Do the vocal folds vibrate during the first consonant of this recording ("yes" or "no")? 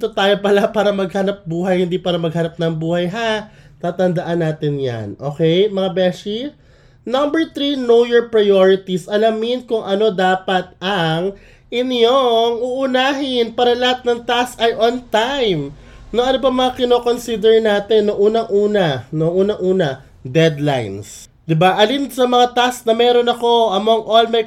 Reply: no